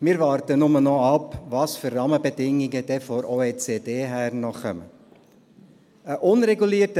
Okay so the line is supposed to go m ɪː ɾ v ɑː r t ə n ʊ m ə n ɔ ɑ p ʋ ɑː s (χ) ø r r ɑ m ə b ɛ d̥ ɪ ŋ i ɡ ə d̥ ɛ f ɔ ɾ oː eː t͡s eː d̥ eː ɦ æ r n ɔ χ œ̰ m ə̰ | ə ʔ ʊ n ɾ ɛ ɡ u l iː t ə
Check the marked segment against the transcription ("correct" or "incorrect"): incorrect